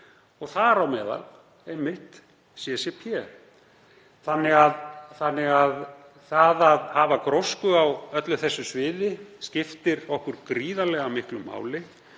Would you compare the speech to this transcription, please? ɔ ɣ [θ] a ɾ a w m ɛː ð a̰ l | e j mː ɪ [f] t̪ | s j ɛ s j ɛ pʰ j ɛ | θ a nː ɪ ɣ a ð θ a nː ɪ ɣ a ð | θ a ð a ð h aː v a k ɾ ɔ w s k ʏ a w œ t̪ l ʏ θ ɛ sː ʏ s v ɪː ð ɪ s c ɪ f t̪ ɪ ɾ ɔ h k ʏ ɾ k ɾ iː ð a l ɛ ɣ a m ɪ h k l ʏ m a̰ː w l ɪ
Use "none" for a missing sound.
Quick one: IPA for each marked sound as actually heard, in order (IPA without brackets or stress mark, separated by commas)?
θ, h